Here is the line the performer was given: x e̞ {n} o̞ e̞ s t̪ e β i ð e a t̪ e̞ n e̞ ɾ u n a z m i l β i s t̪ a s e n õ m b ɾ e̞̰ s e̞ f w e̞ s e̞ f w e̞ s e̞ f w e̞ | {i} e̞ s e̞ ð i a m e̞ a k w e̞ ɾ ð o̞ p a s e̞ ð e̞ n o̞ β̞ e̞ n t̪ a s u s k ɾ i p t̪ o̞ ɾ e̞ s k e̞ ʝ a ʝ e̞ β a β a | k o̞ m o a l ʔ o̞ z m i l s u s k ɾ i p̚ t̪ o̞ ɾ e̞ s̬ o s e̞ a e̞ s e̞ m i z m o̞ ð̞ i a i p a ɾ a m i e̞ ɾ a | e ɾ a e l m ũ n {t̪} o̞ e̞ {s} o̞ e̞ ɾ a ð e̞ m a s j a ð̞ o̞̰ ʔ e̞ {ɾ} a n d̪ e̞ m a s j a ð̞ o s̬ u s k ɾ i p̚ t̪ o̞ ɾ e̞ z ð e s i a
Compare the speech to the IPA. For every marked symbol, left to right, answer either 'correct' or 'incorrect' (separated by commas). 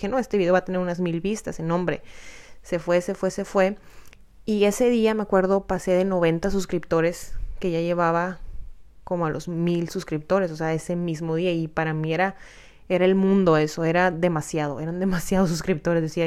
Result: correct, correct, incorrect, correct, correct